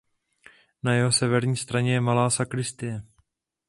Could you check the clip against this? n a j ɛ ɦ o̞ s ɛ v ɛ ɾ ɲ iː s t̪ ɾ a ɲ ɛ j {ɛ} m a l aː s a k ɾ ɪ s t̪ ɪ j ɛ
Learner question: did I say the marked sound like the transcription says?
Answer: yes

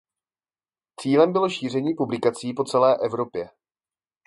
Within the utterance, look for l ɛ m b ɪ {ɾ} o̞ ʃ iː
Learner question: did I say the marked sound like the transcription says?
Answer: no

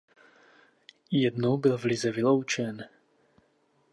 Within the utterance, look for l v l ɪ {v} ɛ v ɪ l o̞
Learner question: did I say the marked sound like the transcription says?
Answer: no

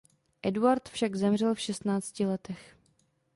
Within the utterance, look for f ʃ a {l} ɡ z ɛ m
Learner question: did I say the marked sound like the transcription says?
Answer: no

